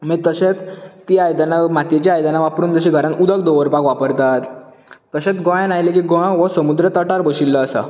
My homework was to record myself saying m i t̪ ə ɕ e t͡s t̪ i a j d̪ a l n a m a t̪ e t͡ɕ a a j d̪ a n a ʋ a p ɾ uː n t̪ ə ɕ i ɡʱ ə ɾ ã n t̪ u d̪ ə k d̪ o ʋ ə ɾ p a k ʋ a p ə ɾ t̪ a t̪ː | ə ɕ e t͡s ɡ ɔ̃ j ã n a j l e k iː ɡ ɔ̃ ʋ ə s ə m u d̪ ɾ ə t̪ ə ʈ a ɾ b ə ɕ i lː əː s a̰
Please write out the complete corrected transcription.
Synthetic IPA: m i t̪ ə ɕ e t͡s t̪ i a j d̪ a n a m a t̪ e t͡ɕ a a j d̪ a n a ʋ a p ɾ uː n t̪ ə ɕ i ɡʱ ə ɾ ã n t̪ u d̪ ə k d̪ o ʋ ə ɾ p a k ʋ a p ə ɾ t̪ a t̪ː | ə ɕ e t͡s ɡ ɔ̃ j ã n a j l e k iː ɡ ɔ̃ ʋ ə s ə m u d̪ ɾ ə t̪ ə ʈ a ɾ b ə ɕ i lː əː s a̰